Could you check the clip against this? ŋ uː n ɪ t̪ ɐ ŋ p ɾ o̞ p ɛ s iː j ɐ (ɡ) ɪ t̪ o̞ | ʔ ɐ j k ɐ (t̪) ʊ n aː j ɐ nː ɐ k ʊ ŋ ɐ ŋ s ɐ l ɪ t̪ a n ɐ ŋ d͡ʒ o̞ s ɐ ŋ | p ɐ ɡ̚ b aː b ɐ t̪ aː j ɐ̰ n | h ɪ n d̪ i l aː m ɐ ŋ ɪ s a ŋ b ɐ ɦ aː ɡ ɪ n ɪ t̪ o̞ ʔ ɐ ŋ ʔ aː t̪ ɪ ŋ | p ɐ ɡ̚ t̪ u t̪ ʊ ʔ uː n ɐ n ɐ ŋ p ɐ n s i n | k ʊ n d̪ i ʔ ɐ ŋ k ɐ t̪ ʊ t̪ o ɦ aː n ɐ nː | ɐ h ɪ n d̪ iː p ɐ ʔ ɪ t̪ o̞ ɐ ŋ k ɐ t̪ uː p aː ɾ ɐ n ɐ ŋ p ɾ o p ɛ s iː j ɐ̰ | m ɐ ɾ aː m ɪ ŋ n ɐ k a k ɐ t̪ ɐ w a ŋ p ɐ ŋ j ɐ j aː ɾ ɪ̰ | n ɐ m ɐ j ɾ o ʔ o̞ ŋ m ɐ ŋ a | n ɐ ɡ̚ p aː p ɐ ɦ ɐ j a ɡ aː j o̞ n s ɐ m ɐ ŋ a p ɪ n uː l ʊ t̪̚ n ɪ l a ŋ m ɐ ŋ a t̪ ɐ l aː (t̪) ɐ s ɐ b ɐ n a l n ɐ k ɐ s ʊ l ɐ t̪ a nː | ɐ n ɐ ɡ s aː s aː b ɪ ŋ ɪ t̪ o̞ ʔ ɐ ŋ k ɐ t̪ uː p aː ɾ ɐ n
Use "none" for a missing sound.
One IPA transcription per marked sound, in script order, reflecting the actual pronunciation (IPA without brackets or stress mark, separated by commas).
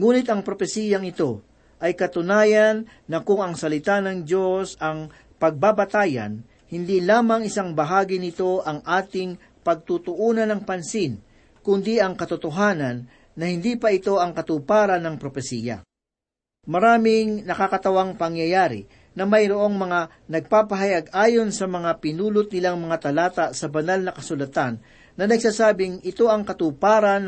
ŋ, t̪, t̪